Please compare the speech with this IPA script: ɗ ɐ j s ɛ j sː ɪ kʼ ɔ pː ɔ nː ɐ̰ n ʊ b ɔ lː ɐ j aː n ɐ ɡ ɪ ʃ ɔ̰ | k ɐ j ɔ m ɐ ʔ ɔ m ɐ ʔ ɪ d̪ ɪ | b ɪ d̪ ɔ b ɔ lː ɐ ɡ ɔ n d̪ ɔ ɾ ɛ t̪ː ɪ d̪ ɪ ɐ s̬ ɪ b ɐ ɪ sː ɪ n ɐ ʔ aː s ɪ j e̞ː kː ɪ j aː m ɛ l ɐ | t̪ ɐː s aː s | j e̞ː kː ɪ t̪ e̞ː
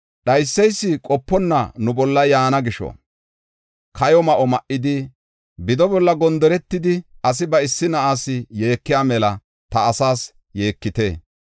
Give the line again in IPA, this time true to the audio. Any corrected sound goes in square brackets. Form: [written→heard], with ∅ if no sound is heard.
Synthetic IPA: ɗ ɐ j [s→sː] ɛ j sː ɪ kʼ ɔ pː ɔ nː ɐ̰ n ʊ b ɔ lː ɐ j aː n ɐ ɡ ɪ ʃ ɔ̰ | k ɐ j ɔ m ɐ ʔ ɔ m ɐ ʔ ɪ d̪ ɪ | b ɪ d̪ ɔ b ɔ lː ɐ ɡ ɔ n d̪ ɔ ɾ ɛ t̪ː ɪ d̪ ɪ ɐ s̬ ɪ b ɐ ɪ sː ɪ n ɐ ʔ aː s ɪ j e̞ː kː ɪ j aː m ɛ l ɐ | t̪ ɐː s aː s | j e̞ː kː ɪ t̪ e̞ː

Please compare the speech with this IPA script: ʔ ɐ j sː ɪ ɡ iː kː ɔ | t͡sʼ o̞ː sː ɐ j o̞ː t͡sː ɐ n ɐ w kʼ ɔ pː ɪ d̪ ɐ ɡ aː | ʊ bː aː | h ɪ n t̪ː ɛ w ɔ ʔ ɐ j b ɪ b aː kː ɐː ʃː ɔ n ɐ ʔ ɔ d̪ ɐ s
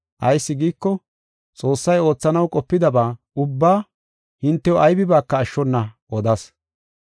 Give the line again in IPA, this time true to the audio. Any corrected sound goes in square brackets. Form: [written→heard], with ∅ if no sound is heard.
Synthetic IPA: ʔ ɐ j sː ɪ ɡ iː kː ɔ | t͡sʼ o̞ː sː ɐ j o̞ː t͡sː ɐ n ɐ w kʼ ɔ pː ɪ d̪ ɐ [ɡ→b] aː | ʊ bː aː | h ɪ n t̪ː ɛ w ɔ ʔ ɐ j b ɪ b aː kː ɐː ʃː ɔ [n→nː] ɐ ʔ ɔ d̪ ɐ s

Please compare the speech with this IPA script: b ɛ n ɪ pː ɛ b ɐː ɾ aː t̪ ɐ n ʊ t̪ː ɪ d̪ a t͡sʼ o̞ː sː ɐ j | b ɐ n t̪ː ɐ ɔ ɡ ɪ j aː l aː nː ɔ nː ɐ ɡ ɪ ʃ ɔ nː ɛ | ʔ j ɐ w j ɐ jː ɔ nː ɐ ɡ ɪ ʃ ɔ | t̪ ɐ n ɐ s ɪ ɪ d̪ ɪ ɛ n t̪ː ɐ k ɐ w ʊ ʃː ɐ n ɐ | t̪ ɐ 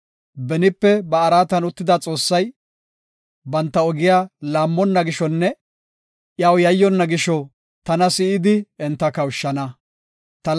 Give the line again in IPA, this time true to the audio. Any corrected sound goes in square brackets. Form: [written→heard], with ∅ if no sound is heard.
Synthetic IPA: b ɛ n ɪ pː ɛ b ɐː ɾ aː t̪ ɐ n ʊ t̪ː ɪ d̪ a t͡sʼ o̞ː sː ɐ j | b ɐ n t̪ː ɐ ɔ ɡ ɪ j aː l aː [nː→mː] ɔ nː ɐ ɡ ɪ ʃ ɔ nː ɛ | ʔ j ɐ w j ɐ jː ɔ nː ɐ ɡ ɪ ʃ ɔ | t̪ ɐ n ɐ s ɪ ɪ d̪ ɪ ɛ n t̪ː ɐ k ɐ w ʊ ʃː ɐ n ɐ | t̪ ɐ

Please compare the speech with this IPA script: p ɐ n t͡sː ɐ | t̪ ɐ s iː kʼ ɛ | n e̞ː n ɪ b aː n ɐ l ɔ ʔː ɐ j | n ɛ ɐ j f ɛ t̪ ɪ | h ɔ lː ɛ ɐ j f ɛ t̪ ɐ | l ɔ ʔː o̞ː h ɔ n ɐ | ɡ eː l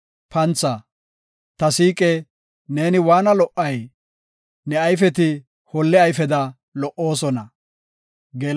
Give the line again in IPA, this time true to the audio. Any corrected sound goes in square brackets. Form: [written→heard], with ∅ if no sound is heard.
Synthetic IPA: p ɐ n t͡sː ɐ | t̪ ɐ s iː kʼ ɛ | n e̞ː n ɪ [b→w] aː n ɐ l ɔ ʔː ɐ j | n ɛ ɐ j f ɛ t̪ ɪ | h ɔ lː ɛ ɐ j f ɛ [t̪→d̪] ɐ | l ɔ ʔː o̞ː [h→s] ɔ n ɐ | ɡ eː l

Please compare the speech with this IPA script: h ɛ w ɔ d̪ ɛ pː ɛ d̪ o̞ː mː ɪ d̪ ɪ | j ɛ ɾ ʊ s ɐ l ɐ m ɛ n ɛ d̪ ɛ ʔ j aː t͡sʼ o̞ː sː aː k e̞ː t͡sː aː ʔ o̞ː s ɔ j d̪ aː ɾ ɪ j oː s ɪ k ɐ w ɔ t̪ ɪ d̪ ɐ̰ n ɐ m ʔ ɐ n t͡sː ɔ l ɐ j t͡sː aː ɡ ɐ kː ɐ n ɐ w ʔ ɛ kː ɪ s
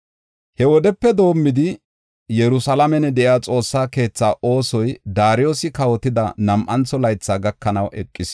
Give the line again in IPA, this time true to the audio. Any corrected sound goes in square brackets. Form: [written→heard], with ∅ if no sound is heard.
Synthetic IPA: h ɛ w ɔ d̪ ɛ pː ɛ d̪ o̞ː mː ɪ d̪ ɪ | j ɛ ɾ ʊ s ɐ l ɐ m ɛ n ɛ d̪ ɛ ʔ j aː t͡sʼ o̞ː sː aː k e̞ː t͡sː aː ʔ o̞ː s ɔ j d̪ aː ɾ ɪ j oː s ɪ k ɐ w ɔ t̪ ɪ d̪ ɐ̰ n ɐ m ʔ ɐ n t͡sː ɔ l ɐ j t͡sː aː ɡ ɐ kː ɐ n ɐ w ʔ ɛ [kː→kʼː] ɪ s

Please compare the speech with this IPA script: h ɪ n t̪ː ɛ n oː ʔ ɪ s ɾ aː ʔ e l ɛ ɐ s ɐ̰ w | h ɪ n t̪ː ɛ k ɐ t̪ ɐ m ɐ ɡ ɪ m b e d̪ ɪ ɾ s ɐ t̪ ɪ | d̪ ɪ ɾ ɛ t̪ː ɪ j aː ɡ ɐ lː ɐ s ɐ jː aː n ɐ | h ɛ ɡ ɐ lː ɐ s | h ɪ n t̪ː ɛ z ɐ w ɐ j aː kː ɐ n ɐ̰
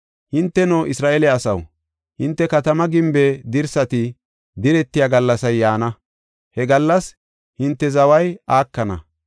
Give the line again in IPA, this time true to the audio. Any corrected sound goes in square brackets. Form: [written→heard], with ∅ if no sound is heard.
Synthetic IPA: h ɪ n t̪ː ɛ n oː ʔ ɪ s ɾ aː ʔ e l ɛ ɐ s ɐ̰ w | h ɪ n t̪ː ɛ k ɐ t̪ ɐ m ɐ ɡ ɪ m b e d̪ ɪ ɾ s ɐ t̪ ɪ | d̪ ɪ ɾ ɛ t̪ː ɪ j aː ɡ ɐ lː ɐ s ɐ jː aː n ɐ | h ɛ ɡ ɐ lː ɐ s | h ɪ n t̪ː ɛ z ɐ w ɐ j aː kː ɐ n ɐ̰

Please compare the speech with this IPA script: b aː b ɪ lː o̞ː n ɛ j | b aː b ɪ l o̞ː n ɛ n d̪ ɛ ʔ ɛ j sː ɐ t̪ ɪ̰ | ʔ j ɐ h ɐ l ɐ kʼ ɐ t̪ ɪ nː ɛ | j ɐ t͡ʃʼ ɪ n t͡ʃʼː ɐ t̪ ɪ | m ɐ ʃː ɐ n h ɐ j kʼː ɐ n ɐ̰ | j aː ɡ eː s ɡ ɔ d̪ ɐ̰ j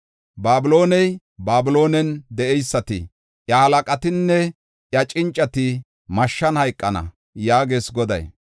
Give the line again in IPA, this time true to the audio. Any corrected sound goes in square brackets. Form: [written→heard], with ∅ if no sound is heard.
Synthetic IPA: b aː b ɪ [lː→l] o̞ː n ɛ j | b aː b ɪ l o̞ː n ɛ n d̪ ɛ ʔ ɛ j sː ɐ t̪ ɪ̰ | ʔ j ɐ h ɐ l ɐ kʼ ɐ t̪ ɪ nː ɛ | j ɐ t͡ʃʼ ɪ n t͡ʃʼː ɐ t̪ ɪ | m ɐ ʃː ɐ n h ɐ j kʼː ɐ n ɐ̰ | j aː ɡ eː s ɡ ɔ d̪ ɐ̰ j

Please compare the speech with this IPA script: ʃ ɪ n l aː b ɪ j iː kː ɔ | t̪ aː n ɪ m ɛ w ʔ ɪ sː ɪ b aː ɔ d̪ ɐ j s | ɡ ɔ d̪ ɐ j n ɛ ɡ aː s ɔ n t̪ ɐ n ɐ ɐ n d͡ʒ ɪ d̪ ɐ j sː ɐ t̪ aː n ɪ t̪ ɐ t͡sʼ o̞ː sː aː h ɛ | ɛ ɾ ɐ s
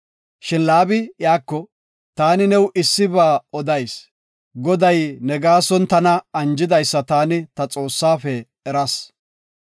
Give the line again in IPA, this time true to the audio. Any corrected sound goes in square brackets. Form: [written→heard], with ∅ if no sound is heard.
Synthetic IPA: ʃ ɪ n l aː b ɪ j [iː→aː] kː ɔ | t̪ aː n ɪ [m→n] ɛ w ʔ ɪ sː ɪ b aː ɔ d̪ ɐ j s | ɡ ɔ d̪ ɐ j n ɛ ɡ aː s ɔ n t̪ ɐ n ɐ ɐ n d͡ʒ ɪ d̪ ɐ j sː ɐ t̪ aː n ɪ t̪ ɐ t͡sʼ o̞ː sː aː [h→f] ɛ | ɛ ɾ ɐ s

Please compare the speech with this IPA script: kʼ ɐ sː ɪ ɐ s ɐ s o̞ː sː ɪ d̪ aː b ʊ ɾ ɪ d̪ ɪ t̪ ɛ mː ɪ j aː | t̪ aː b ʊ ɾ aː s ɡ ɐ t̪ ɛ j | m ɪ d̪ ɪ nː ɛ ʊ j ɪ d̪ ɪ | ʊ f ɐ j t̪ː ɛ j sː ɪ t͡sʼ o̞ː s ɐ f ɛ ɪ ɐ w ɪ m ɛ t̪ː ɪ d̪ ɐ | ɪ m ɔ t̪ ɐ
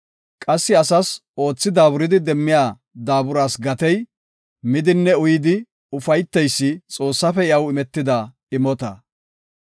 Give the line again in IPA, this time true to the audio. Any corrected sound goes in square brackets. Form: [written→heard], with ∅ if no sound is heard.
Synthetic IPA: kʼ ɐ sː ɪ ɐ s ɐ s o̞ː [sː→t͡sː] ɪ d̪ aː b ʊ ɾ ɪ d̪ ɪ [t̪→d̪] ɛ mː ɪ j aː | [t̪→d̪] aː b ʊ ɾ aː s ɡ ɐ t̪ ɛ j | m ɪ d̪ ɪ nː ɛ ʊ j ɪ d̪ ɪ | ʊ f ɐ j t̪ː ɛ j sː ɪ t͡sʼ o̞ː [s→sː] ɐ f ɛ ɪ ɐ w ɪ m ɛ t̪ː ɪ d̪ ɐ | ɪ m ɔ t̪ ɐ

